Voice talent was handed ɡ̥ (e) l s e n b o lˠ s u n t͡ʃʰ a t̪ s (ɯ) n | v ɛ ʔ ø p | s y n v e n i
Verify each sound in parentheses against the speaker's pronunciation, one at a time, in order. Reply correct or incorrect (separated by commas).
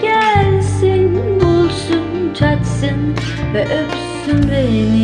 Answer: incorrect, correct